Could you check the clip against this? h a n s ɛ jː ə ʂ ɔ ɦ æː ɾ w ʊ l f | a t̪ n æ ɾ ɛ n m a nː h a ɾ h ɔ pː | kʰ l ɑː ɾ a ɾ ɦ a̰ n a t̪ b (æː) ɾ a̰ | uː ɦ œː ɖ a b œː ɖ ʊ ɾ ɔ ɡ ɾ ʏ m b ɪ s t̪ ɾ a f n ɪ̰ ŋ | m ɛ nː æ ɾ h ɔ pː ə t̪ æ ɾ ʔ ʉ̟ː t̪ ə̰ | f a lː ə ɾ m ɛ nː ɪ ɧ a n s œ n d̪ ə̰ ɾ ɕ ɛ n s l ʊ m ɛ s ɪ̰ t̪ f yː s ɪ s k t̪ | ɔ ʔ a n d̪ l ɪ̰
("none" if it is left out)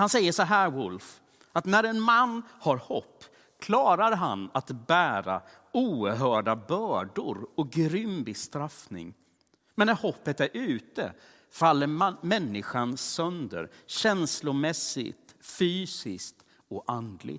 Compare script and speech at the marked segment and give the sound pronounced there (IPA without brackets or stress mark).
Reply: æː